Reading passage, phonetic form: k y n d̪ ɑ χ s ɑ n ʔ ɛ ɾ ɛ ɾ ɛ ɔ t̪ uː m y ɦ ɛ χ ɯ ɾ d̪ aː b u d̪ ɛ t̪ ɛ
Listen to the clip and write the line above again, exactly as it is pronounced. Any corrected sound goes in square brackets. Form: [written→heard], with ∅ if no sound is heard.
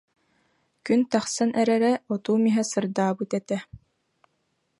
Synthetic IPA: k y n [d̪→t̪] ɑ χ s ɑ n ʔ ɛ ɾ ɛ ɾ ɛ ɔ t̪ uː m [y→i] ɦ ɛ [χ→s] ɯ ɾ d̪ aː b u [d̪→t̪] ɛ t̪ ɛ